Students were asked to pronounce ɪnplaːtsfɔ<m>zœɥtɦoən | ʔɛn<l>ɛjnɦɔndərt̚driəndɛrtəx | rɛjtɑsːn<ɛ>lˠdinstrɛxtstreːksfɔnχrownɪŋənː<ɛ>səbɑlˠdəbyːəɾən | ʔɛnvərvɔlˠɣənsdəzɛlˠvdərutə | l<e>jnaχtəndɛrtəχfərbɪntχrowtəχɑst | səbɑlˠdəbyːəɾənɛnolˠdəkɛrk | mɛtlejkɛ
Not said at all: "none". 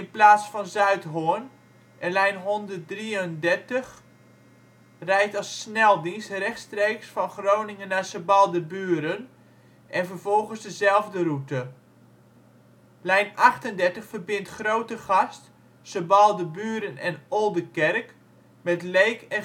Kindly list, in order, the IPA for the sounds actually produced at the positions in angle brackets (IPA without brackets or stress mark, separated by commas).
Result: n, l, ɛ, a, ɛ